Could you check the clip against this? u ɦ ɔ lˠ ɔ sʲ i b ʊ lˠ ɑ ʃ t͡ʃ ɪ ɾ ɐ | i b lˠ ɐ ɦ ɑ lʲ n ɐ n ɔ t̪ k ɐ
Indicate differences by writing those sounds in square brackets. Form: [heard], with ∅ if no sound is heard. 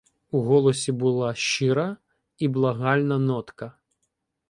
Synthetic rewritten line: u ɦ ɔ lˠ ɔ sʲ i b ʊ lˠ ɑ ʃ t͡ʃ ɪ ɾ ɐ | i b lˠ ɐ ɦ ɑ lʲ n ɐ n ɔ t̪ k ɐ

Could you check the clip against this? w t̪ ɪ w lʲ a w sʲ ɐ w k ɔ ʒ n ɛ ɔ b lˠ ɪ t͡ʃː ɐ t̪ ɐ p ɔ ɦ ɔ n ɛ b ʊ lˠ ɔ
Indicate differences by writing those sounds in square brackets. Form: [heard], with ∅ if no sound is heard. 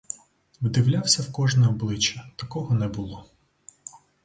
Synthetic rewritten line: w [d̪] ɪ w lʲ a w sʲ ɐ w k ɔ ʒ n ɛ ɔ b lˠ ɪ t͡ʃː ɐ t̪ ɐ [k] ɔ ɦ ɔ n ɛ b ʊ lˠ ɔ

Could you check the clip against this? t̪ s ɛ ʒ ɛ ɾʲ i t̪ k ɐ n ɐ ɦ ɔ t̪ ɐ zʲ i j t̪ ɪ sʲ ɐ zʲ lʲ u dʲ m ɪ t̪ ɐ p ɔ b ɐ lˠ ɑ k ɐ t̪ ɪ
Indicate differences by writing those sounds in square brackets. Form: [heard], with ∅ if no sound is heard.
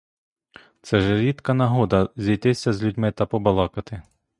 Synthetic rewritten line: t̪ s ɛ ʒ ɛ ɾʲ i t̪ k ɐ n ɐ ɦ ɔ [d̪] ɐ zʲ i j t̪ ɪ sʲ ɐ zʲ lʲ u dʲ m ɪ t̪ ɐ p ɔ b ɐ lˠ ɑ k ɐ t̪ ɪ

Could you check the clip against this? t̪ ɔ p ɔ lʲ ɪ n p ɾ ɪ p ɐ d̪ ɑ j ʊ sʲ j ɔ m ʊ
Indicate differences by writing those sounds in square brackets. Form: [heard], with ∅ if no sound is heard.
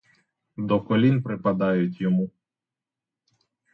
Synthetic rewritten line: [d̪] ɔ [k] ɔ lʲ [i] n p ɾ ɪ p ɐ d̪ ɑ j ʊ [tʲ] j ɔ m [u]

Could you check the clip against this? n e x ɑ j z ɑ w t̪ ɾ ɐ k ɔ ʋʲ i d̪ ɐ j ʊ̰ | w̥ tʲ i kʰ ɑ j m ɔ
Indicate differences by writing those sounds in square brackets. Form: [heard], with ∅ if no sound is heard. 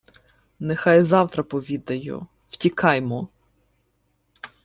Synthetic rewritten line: n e x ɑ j z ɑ w t̪ ɾ ɐ [p] ɔ ʋʲ i d̪ ɐ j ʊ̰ | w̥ tʲ i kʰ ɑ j m ɔ

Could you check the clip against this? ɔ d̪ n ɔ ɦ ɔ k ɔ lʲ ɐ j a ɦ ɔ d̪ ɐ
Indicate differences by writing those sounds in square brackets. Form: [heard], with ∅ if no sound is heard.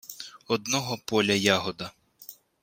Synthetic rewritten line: ɔ d̪ n ɔ ɦ ɔ [p] ɔ lʲ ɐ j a ɦ ɔ d̪ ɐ

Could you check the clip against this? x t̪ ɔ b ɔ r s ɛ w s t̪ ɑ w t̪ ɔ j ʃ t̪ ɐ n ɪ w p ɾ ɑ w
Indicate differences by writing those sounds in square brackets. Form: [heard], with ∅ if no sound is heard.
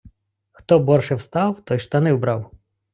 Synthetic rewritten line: x t̪ ɔ b ɔ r [ʃ] ɛ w s t̪ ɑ w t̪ ɔ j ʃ t̪ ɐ n ɪ w [b] ɾ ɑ w

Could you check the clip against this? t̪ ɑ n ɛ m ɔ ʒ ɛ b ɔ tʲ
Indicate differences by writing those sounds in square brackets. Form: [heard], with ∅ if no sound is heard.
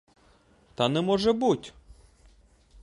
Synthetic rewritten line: t̪ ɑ n ɛ m ɔ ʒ ɛ b [u] tʲ

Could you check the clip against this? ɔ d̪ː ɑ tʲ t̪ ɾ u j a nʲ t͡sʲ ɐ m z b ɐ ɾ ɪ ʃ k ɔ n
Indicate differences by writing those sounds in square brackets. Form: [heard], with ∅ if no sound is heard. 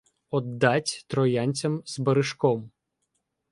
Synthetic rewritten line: ɔ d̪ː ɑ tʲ t̪ ɾ [ɔ] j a nʲ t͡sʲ ɐ m z b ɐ ɾ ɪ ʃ k ɔ [m]

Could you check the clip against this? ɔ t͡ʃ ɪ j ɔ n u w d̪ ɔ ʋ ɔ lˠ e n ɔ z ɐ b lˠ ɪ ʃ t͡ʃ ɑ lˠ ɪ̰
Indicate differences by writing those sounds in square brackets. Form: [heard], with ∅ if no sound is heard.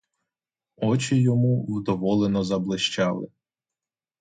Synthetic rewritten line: ɔ t͡ʃ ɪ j ɔ [m] u w d̪ ɔ ʋ ɔ lˠ e n ɔ z ɐ b lˠ ɪ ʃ t͡ʃ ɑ lˠ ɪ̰

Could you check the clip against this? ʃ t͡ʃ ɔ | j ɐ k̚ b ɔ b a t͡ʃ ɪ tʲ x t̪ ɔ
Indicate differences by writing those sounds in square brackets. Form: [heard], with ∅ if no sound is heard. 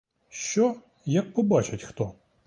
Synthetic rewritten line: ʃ t͡ʃ ɔ | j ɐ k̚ [p] ɔ b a t͡ʃ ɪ tʲ x t̪ ɔ

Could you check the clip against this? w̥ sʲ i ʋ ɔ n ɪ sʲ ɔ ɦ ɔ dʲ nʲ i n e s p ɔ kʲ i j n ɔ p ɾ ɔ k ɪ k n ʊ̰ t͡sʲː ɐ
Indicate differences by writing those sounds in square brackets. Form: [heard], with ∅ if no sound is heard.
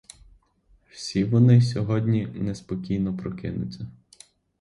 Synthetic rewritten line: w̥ sʲ i ʋ ɔ n ɪ sʲ ɔ ɦ ɔ dʲ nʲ i n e s p ɔ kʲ i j n ɔ p ɾ ɔ k ɪ [∅] n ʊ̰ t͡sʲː ɐ

